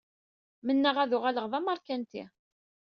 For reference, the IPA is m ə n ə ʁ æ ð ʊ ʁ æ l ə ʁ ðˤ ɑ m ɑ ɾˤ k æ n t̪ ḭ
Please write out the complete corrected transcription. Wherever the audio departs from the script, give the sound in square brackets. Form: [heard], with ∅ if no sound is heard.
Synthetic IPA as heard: m ə [nː] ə ʁ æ ð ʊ ʁ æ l ə ʁ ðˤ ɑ m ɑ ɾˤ k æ n t̪ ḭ